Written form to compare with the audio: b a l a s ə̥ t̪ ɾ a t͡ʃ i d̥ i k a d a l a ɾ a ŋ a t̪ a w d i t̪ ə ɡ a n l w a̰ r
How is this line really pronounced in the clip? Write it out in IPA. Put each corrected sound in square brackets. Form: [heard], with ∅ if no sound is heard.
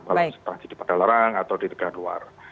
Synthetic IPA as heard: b a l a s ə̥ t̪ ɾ a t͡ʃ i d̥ i [p] a d a l a ɾ a ŋ a t̪ a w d i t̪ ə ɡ a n l [u] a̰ r